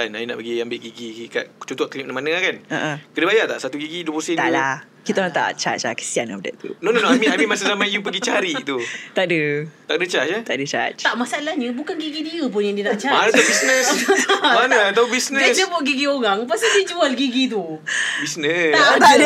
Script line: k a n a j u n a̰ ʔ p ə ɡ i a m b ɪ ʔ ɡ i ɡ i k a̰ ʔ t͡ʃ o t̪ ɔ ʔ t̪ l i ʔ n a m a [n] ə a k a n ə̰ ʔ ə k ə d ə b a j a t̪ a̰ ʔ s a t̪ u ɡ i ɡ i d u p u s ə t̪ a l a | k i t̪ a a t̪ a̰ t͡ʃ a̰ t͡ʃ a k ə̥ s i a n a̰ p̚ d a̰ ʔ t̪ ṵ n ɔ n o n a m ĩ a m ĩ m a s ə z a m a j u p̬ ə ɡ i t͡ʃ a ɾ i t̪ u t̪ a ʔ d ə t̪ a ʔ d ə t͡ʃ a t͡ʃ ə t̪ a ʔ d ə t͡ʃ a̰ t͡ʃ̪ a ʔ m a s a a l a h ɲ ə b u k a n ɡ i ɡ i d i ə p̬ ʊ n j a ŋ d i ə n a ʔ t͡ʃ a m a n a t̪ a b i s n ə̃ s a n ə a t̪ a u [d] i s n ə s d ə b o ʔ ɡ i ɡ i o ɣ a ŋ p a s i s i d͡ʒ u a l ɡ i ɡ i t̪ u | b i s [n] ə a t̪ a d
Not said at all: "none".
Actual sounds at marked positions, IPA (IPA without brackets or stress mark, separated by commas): n, b, n